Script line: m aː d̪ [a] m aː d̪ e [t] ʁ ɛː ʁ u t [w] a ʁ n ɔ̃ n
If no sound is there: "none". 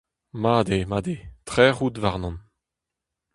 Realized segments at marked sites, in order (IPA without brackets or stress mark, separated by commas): e, t, v